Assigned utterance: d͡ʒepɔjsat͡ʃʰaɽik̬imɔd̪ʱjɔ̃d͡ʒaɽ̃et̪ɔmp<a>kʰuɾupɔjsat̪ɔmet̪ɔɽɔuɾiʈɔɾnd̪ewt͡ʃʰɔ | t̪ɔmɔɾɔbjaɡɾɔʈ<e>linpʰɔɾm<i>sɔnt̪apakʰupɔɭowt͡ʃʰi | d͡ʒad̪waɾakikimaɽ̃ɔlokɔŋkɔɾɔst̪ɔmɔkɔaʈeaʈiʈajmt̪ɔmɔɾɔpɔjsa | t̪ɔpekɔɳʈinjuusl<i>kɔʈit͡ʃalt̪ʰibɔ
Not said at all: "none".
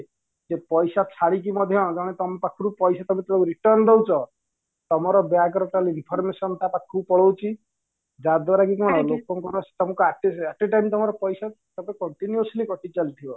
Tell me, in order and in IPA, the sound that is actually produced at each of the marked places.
a, a, e, i

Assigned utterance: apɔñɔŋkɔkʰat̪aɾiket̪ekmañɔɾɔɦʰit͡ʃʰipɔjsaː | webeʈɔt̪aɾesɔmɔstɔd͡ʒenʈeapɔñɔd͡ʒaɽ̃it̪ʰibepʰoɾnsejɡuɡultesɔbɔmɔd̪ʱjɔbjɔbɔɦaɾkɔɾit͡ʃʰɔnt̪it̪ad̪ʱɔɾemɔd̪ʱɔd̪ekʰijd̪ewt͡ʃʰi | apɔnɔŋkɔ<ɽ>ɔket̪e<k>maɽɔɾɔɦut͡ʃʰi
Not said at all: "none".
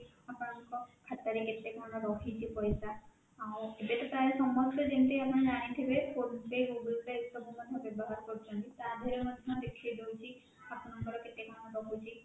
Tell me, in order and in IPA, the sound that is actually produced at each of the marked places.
ɾ, k

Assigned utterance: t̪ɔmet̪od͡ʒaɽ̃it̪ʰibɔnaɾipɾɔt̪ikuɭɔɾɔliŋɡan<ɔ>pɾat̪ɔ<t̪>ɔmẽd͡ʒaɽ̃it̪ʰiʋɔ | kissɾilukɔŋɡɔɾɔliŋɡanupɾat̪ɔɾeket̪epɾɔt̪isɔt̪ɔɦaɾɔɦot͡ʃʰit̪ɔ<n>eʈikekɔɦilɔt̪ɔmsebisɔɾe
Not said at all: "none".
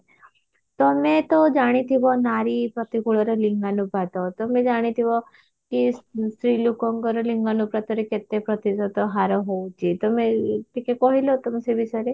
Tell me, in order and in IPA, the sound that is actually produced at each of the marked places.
u, t̪, m

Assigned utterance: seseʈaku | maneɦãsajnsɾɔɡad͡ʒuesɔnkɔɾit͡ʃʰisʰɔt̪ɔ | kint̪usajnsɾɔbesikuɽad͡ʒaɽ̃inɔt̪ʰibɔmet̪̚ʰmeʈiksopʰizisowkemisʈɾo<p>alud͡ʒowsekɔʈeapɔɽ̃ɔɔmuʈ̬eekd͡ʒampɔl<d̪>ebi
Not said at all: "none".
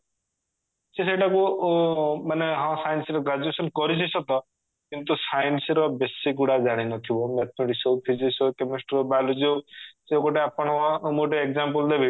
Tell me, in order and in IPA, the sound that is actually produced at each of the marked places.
b, d̪

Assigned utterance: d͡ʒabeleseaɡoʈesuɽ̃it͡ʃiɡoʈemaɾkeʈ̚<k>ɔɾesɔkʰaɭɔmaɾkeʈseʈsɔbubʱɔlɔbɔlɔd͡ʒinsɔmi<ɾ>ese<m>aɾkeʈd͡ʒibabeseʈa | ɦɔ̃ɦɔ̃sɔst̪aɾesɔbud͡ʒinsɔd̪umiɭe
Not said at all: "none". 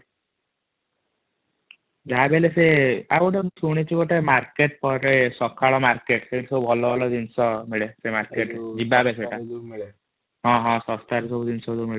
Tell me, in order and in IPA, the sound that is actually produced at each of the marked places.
p, ɭ, m

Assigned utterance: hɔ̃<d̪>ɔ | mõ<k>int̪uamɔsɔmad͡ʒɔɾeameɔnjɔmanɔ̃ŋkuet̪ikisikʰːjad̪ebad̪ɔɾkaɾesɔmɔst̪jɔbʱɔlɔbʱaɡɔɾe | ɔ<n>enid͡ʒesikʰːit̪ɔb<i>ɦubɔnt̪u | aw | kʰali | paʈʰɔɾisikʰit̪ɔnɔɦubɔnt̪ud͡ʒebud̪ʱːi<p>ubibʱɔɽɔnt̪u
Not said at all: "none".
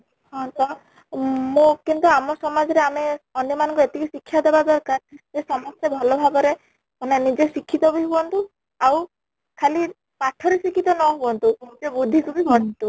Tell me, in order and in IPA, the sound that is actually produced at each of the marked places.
t̪, k, n, i, k

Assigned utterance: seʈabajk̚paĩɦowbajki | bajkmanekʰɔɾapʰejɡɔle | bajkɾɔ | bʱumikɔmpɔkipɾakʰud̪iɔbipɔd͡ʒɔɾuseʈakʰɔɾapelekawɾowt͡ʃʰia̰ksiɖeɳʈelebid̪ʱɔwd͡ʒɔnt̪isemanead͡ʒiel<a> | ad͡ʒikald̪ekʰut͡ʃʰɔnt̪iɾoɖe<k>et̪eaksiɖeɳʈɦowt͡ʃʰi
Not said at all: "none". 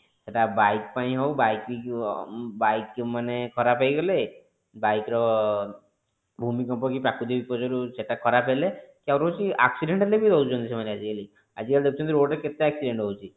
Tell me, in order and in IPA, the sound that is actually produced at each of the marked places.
i, k

